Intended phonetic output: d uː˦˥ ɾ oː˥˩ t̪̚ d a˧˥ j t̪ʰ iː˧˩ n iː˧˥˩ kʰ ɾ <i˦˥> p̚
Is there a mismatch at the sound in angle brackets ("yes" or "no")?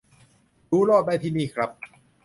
yes